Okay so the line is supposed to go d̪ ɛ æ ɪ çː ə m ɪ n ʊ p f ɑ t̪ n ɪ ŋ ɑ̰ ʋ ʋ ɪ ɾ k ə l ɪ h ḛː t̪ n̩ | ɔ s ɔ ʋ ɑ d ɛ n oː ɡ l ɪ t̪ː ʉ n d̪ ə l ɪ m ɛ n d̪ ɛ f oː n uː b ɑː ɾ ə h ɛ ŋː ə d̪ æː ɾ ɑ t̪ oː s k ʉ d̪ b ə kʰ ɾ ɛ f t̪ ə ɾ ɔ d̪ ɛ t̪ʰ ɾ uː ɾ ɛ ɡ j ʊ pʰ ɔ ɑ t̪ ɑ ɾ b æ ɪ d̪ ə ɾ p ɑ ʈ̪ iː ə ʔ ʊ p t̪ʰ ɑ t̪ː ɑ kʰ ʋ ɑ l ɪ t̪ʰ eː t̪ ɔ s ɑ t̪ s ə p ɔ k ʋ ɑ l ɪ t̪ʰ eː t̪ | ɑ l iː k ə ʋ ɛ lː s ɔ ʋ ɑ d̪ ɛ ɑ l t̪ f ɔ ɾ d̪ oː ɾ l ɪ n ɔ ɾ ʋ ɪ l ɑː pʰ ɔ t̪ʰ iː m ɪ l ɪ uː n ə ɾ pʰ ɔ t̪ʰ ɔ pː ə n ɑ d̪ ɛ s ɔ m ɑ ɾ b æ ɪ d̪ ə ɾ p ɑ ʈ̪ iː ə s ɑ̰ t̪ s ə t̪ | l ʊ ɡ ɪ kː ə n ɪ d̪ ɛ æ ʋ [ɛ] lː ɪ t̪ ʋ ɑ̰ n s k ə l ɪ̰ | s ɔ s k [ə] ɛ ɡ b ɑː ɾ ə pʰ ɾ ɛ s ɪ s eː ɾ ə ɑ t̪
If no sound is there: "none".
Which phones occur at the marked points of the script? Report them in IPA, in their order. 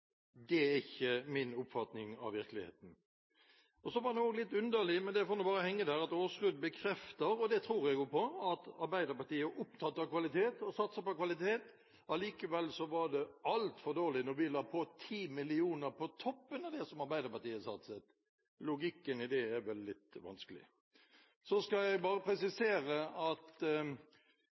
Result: ɛ, ɑ

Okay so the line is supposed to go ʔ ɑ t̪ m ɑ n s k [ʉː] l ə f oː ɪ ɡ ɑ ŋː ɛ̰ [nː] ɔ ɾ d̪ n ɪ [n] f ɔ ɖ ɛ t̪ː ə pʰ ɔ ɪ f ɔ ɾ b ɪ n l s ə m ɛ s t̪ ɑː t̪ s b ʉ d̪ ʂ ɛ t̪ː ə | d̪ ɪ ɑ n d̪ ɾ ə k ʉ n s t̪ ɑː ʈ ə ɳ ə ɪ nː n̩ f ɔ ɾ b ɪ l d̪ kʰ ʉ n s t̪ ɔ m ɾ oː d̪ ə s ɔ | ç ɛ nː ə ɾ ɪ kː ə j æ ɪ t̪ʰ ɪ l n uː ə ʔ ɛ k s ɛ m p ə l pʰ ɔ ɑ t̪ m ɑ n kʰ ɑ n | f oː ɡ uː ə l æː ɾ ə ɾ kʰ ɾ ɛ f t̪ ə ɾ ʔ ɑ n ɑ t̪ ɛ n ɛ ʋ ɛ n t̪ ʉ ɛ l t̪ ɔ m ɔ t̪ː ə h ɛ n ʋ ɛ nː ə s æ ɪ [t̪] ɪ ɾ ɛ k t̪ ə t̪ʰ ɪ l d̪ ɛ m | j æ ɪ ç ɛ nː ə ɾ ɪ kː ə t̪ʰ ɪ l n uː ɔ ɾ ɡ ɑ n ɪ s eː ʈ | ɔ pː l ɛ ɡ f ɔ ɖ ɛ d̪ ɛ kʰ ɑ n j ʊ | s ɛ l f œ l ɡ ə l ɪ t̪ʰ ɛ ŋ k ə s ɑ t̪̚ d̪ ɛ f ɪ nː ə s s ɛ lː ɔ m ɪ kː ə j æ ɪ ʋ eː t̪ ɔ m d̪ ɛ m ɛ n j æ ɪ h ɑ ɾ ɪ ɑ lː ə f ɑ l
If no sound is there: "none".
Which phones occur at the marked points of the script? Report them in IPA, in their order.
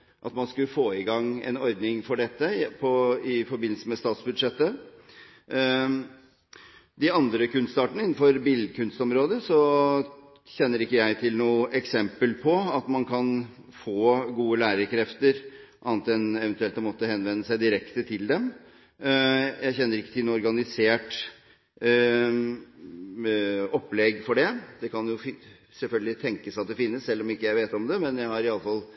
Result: ʉ, n, ŋ, d̪

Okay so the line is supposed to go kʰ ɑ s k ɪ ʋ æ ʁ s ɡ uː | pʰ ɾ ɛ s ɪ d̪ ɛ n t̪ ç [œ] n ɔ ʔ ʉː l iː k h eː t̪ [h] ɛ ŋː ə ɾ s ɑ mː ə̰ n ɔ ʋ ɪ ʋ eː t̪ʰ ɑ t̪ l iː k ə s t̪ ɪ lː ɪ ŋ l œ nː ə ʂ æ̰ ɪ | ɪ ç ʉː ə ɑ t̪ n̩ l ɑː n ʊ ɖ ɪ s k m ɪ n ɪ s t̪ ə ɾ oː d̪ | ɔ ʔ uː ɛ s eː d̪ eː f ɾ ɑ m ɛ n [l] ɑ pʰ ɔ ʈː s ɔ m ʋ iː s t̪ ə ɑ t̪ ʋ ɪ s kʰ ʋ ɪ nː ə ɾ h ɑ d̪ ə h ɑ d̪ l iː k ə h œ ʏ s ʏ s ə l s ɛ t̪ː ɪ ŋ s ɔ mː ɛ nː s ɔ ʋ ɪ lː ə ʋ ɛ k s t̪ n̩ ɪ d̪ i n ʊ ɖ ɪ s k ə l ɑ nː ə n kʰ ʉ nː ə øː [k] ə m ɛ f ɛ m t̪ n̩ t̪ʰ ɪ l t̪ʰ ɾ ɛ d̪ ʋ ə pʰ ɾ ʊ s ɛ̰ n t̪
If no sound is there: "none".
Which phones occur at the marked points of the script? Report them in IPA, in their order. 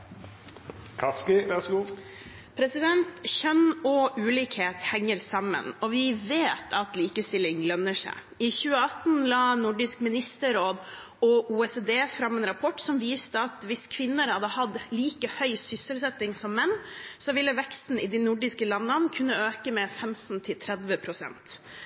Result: œ, h, ɾ, k

